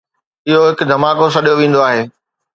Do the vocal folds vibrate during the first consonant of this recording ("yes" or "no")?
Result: yes